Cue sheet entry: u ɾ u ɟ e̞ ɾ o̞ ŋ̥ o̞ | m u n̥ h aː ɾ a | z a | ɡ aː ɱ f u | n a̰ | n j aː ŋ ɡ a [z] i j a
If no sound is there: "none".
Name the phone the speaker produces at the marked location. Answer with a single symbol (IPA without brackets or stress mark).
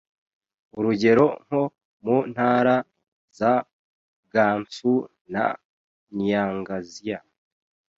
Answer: z